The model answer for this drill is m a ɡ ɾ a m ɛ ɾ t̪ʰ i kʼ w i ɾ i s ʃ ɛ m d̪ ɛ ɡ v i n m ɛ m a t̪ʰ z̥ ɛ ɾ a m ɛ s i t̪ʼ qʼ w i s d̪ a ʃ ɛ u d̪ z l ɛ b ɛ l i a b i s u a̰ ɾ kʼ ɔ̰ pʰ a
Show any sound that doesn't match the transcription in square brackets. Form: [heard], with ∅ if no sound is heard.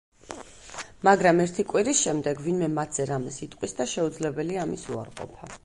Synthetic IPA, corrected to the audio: m a ɡ ɾ a m ɛ ɾ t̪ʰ i kʼ w i ɾ i s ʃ ɛ m d̪ ɛ ɡ v i n m ɛ m a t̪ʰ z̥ ɛ ɾ a m ɛ s i t̪ʼ qʼ w i s d̪ a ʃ ɛ u d̪ z l ɛ b ɛ l i a [m] i s u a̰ ɾ [qʼ] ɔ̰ pʰ a